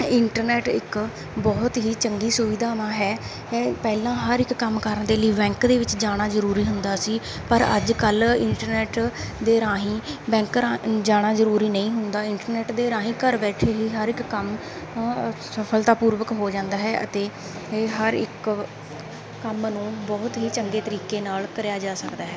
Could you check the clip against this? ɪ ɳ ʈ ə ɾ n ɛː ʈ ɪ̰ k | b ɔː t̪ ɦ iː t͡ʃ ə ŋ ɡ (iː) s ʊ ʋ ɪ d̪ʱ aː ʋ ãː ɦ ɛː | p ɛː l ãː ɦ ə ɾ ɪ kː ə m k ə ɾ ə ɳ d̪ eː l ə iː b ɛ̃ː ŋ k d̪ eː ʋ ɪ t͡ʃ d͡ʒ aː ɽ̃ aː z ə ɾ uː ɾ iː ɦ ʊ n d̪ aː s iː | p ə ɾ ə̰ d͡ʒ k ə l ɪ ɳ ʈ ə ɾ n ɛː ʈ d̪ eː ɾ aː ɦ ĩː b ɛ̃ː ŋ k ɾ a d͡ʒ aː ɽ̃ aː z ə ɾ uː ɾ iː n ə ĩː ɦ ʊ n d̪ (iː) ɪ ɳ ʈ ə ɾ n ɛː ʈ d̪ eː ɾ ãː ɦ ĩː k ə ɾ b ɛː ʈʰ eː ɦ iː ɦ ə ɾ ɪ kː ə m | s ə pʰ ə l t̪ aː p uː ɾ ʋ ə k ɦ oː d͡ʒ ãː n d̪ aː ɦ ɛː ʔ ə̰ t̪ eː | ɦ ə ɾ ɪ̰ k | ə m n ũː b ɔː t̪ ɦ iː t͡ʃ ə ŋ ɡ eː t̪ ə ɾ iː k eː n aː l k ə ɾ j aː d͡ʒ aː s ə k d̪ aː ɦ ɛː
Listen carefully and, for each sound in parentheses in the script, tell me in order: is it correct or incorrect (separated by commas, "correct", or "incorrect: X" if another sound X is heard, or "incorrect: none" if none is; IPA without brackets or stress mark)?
correct, incorrect: aː